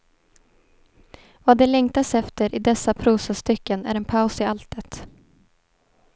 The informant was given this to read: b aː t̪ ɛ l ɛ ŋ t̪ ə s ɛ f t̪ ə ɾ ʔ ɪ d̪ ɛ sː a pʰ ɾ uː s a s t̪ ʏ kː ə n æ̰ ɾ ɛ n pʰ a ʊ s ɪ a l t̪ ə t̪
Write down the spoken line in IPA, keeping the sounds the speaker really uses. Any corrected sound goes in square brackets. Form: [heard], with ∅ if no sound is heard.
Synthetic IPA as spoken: [v] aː [d̪] ɛ l ɛ ŋ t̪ [a] s ɛ f t̪ ə ɾ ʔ ɪ d̪ ɛ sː a pʰ ɾ uː s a s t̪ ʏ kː ə n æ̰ ɾ ɛ n pʰ a ʊ s ɪ a l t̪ ə t̪